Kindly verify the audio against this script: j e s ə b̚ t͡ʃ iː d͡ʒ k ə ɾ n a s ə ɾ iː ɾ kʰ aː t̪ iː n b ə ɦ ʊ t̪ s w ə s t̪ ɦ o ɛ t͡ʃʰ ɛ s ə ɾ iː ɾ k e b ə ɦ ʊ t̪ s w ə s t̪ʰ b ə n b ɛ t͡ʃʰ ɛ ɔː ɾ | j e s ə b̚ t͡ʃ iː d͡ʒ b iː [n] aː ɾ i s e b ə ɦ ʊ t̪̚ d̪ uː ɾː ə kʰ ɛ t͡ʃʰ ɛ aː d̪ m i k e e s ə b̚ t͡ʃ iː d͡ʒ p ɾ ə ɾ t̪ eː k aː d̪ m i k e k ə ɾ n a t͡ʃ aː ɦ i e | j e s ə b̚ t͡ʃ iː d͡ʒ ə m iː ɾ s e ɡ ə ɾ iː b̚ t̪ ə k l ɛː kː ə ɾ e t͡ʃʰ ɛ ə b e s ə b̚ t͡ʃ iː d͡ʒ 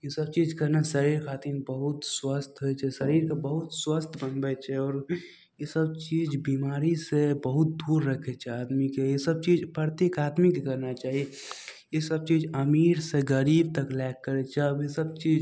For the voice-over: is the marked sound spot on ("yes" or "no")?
no